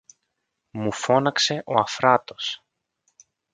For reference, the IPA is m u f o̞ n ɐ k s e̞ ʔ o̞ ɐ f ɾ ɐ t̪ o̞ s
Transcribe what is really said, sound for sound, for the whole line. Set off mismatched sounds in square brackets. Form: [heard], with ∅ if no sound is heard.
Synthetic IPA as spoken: m u f o̞ n ɐ k s e̞ ʔ o̞ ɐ f ɾ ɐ t̪ o̞ s

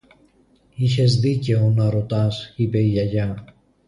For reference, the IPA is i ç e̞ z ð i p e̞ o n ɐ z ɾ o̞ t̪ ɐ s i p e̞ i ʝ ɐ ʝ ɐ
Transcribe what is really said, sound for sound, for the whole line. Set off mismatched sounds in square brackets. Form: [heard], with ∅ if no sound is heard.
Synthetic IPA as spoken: i ç e̞ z ð i [c] e̞ o n ɐ [∅] ɾ o̞ t̪ ɐ s i p e̞ i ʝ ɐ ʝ ɐ

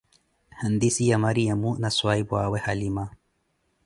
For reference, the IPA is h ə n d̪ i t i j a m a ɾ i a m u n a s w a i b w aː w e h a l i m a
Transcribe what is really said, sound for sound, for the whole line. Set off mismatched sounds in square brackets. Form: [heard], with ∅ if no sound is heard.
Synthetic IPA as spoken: h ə n d̪ i [s] i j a m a ɾ i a m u n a s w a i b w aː w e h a l i m a

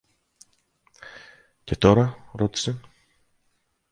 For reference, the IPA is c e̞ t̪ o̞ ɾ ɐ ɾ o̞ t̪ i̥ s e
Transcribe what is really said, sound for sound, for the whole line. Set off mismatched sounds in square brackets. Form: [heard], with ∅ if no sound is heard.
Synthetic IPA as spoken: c e̞ t̪ o̞ ɾ ɐ ɾ o̞ t̪ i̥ s e

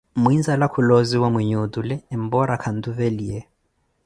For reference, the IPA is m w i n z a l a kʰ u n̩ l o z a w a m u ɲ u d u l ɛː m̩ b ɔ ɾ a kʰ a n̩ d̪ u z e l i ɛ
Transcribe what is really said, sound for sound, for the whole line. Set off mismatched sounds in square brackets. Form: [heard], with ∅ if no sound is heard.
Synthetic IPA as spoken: m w i n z a l a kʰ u [∅] l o z [i] w a m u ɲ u d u l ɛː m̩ b ɔ ɾ a kʰ a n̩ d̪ u [v] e l i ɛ

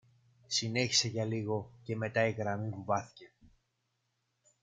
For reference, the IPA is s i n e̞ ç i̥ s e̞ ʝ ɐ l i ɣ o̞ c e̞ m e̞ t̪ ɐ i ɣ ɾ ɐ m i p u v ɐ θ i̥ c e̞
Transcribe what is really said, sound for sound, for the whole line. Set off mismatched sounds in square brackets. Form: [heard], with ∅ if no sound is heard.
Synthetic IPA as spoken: s i n e̞ ç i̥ s e̞ ʝ ɐ l i ɣ o̞ c e̞ m e̞ t̪ ɐ i ɣ ɾ ɐ m i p u v ɐ θ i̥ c e̞

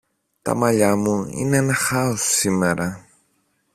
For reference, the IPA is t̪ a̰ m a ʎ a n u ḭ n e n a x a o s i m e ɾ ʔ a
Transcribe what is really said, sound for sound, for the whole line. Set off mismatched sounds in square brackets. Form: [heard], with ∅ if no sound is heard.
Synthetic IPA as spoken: t̪ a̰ m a ʎ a [m] u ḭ n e n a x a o s i m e ɾ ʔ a

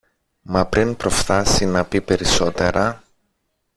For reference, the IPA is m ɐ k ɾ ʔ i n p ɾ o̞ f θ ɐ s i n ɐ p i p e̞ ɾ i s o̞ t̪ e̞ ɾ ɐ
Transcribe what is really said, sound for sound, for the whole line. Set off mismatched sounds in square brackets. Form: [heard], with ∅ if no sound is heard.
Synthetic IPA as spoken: m ɐ [p] ɾ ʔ i n p ɾ o̞ f θ ɐ s i n ɐ p i p e̞ ɾ i s o̞ t̪ e̞ ɾ ɐ

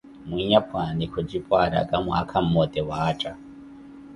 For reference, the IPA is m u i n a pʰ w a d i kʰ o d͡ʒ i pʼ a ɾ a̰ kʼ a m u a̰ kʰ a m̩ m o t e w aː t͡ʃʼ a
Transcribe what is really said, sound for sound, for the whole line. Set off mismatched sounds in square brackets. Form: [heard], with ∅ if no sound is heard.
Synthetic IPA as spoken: m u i [ɲ] a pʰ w a [n] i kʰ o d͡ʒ i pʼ a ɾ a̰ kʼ a m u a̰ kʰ a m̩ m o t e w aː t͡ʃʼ a

